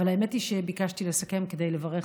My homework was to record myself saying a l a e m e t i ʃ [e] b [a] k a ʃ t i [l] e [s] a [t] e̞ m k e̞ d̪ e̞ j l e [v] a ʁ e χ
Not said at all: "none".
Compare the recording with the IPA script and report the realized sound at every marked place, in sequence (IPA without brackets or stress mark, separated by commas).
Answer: e, i, l, s, k, v